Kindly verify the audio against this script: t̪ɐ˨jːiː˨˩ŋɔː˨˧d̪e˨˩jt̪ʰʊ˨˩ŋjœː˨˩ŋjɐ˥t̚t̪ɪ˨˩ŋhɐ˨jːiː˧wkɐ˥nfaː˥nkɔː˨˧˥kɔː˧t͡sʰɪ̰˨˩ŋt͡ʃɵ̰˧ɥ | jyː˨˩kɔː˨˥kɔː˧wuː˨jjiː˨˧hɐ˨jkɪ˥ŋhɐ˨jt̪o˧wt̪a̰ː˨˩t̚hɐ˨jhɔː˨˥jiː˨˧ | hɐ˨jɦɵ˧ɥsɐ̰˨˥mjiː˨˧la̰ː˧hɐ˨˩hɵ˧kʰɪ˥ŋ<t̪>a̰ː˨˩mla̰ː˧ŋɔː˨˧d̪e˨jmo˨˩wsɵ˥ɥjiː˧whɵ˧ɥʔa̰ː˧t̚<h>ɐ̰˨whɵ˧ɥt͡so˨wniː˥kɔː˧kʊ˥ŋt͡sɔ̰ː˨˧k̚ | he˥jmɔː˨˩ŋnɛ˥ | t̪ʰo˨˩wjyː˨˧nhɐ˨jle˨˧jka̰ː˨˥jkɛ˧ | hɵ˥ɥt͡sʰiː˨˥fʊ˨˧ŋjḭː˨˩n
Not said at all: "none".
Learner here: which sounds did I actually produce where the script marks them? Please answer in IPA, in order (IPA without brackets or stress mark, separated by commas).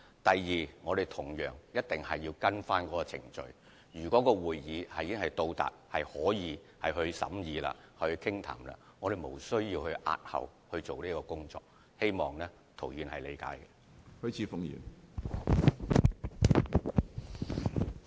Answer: t̪ʰ, h